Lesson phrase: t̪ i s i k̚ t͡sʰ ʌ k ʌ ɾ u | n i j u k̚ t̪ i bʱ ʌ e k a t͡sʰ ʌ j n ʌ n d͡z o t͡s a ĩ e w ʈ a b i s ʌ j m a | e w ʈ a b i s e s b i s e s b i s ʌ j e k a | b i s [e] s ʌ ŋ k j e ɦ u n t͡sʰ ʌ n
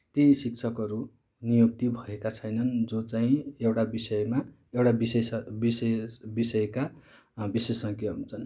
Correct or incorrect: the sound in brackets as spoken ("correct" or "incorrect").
correct